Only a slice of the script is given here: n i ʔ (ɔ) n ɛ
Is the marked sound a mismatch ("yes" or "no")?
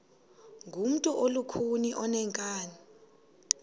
no